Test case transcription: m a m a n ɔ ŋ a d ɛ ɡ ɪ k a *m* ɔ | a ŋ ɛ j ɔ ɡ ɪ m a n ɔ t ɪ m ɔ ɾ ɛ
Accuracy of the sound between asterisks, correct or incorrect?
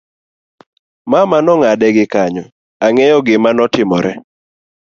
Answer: incorrect